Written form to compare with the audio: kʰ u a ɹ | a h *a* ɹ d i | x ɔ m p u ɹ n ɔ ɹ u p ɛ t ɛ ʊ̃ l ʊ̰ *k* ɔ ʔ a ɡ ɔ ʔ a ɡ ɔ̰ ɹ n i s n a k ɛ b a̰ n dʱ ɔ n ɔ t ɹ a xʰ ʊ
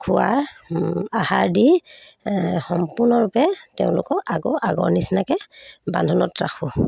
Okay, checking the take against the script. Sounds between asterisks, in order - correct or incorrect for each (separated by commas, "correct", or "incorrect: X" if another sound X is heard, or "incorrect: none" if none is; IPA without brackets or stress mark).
correct, correct